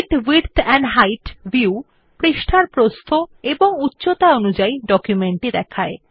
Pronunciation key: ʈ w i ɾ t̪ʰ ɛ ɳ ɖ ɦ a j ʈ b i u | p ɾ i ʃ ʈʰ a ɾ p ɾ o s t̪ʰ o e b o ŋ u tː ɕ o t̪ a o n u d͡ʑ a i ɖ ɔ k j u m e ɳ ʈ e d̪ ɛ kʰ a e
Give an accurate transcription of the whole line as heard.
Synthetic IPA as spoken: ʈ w i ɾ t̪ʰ ɛ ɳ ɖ ɦ a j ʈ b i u | p ɾ i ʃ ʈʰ a ɾ p ɾ o s t̪ʰ o e b o ŋ u tː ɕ o t̪ a o n u d͡ʑ a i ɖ ɔ k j u m e ɳ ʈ i d̪ ɛ kʰ a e

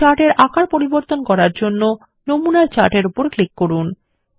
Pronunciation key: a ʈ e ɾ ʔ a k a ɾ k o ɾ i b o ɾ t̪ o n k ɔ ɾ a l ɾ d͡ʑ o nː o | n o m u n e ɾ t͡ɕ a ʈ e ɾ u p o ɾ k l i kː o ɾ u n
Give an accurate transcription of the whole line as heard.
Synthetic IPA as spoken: a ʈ e ɾ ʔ a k a ɾ p o ɾ i b o ɾ t̪ o n k ɔ ɾ a ɾ d͡ʑ o nː o | n o m u n a ɾ t͡ɕ a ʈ e ɾ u p o ɾ k l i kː o ɾ u n

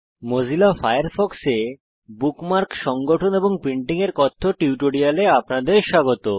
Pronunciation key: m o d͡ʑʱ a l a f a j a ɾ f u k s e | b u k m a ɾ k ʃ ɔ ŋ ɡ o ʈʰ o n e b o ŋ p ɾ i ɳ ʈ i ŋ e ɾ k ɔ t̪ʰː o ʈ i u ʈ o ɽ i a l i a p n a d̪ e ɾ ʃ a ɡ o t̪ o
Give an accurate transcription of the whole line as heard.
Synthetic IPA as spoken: m o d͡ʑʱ i l a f a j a ɾ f ɔ k s e | b u k m a ɾ k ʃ ɔ ŋ ɡ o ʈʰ o n e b o ŋ p ɾ i ɳ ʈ i ŋ e ɾ k ɔ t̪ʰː o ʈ i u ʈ o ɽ i a l e a p n a d̪ e ɾ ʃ a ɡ o t̪ o

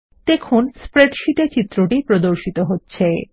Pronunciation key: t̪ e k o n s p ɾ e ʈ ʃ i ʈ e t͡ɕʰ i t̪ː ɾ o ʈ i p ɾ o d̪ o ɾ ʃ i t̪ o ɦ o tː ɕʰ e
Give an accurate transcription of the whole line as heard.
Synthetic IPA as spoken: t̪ e kʰ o n s p ɾ e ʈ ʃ i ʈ e t͡ɕ i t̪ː ɾ o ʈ i p ɾ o d̪ o ɾ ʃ i t̪ o ɦ o tː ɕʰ e

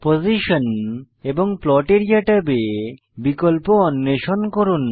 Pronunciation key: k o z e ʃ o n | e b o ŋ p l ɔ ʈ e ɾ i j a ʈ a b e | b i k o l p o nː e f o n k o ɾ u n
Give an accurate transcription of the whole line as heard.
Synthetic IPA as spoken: p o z i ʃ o n | e b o ŋ p l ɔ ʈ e ɾ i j a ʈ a b e | b i k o l p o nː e ʃ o n k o ɾ u n

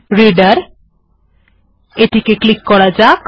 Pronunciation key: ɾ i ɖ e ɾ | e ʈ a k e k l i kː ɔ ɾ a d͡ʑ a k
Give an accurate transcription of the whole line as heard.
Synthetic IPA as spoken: ɾ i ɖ a ɾ | e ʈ i k e k l i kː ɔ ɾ a d͡ʑ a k

